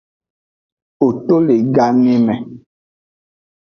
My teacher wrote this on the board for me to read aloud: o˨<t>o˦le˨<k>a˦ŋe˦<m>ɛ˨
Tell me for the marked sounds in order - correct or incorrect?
correct, incorrect: ɡ, correct

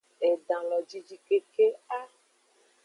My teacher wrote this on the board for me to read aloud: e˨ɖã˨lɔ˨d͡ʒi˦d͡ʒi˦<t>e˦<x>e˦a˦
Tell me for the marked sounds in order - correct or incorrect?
incorrect: k, incorrect: k

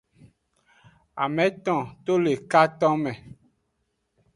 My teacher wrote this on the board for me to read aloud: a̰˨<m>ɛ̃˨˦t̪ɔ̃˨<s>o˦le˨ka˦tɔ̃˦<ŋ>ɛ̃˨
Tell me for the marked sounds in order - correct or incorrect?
correct, incorrect: t, incorrect: m

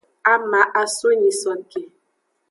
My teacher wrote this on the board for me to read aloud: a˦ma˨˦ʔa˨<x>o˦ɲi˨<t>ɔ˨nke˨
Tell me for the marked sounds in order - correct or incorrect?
incorrect: s, incorrect: s

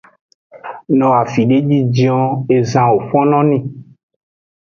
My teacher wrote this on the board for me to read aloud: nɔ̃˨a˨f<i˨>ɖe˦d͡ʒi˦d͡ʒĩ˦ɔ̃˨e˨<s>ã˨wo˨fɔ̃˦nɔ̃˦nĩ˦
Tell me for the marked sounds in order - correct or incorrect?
correct, incorrect: z

